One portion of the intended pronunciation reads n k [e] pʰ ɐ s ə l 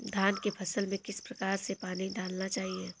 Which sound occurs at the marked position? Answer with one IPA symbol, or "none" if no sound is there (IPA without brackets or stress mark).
e